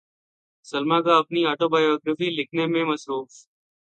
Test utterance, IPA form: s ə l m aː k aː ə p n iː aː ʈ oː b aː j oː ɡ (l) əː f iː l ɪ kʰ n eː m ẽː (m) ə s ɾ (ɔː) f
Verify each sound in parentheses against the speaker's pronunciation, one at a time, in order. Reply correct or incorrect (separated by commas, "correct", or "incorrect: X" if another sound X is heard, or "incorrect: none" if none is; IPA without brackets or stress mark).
incorrect: ɾ, correct, incorrect: uː